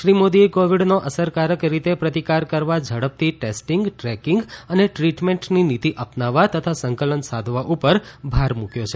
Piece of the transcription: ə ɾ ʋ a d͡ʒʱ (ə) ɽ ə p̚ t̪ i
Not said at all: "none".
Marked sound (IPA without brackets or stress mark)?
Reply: ə